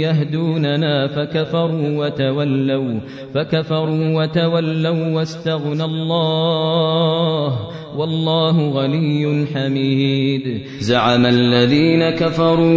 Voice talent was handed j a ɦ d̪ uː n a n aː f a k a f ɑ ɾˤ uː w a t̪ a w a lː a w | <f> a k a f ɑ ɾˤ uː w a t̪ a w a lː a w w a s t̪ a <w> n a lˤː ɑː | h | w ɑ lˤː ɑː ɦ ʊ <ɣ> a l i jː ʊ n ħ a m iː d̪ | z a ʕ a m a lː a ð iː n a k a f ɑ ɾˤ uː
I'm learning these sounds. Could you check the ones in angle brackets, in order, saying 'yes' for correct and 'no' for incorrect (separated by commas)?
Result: yes, no, yes